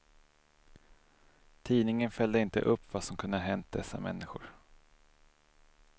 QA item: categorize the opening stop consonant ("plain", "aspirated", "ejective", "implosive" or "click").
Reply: aspirated